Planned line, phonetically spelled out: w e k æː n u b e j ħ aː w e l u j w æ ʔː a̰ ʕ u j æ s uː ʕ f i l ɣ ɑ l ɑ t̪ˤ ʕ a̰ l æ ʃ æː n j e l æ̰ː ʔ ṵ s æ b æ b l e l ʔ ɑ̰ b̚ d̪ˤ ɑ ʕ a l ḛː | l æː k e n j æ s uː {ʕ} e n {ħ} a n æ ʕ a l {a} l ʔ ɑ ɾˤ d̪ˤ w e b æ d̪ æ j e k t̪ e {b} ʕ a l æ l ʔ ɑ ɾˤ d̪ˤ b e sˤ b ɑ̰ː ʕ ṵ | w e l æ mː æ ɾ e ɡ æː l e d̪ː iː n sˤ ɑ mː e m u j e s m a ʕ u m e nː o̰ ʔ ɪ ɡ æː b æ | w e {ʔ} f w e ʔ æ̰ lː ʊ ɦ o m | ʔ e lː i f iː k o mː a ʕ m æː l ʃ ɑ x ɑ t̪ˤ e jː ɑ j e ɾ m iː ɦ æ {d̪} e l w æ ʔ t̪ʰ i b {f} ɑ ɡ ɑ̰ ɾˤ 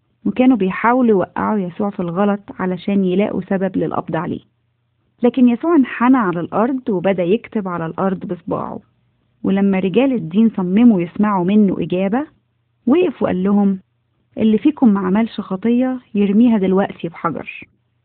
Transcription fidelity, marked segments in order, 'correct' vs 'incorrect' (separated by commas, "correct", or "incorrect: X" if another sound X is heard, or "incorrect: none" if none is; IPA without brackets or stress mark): correct, correct, incorrect: æ, correct, correct, correct, incorrect: ħ